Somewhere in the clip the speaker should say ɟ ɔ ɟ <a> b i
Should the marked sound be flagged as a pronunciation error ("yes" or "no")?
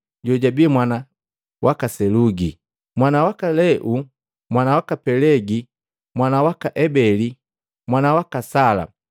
no